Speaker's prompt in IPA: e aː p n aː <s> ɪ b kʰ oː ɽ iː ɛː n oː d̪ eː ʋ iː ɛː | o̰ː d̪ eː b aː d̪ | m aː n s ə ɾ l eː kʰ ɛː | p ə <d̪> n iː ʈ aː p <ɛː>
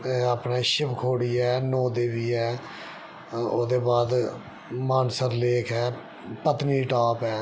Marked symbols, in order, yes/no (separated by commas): no, no, yes